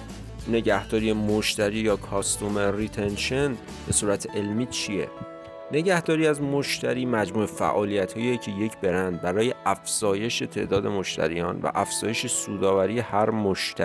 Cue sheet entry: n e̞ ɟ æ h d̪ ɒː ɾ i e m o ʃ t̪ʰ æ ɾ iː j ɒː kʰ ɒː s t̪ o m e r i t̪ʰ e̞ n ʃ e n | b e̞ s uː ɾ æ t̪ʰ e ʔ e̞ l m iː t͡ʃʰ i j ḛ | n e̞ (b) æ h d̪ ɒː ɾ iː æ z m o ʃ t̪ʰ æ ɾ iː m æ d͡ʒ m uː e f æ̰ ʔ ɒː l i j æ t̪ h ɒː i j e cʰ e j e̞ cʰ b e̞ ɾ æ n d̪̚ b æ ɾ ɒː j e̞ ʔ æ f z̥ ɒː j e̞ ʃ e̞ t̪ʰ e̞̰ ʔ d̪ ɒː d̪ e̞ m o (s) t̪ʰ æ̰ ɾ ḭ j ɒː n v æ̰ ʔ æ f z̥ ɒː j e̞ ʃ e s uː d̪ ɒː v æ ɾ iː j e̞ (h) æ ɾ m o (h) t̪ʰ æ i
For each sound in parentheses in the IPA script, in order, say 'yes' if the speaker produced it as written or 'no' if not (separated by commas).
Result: no, no, yes, no